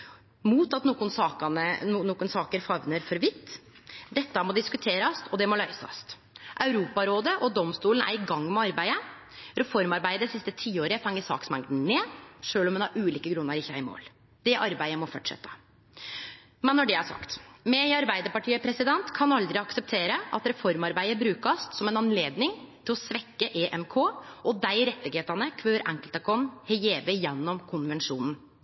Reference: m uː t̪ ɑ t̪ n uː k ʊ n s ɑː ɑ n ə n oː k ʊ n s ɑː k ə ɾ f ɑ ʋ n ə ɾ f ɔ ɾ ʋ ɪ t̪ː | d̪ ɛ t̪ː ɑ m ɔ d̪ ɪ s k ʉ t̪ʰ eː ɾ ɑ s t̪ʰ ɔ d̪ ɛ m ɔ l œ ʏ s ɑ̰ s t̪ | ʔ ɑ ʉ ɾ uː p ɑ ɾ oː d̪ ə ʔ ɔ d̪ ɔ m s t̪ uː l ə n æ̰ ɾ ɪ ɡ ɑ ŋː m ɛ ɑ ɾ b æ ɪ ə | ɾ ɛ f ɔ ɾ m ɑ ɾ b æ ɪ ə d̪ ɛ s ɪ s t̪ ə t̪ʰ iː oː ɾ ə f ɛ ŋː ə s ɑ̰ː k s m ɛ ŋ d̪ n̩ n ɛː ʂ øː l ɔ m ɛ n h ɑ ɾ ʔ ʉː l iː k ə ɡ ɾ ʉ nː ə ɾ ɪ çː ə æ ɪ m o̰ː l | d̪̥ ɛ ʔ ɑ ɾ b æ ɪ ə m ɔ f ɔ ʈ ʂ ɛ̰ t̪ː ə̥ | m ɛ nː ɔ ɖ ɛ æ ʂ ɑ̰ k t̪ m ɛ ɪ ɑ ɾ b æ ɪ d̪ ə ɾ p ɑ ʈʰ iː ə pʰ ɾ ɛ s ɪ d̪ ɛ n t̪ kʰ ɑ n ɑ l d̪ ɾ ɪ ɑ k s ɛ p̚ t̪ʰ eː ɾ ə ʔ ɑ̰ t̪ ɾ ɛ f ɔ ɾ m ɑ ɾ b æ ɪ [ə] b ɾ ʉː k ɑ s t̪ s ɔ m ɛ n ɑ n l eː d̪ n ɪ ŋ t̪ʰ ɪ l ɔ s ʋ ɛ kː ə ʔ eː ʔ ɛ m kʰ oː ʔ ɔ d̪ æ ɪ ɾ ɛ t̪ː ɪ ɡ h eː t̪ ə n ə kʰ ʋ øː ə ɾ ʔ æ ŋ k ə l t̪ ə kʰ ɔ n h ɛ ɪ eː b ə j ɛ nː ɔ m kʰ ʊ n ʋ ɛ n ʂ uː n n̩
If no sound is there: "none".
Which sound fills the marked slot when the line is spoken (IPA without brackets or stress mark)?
ə